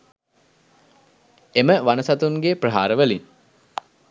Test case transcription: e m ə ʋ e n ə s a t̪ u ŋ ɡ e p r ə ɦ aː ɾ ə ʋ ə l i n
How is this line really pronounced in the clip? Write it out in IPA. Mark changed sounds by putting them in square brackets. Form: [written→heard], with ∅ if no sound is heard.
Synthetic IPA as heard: e m ə ʋ [e→a] n ə s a t̪ u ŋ ɡ e p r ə ɦ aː ɾ ə ʋ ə l i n